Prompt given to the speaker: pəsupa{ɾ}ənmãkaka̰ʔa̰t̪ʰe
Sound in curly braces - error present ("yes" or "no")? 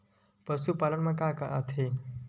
yes